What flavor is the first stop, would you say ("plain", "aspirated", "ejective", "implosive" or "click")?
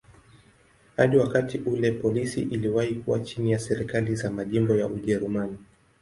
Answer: implosive